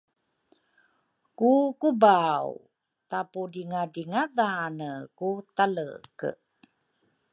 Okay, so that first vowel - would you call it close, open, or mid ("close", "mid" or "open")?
close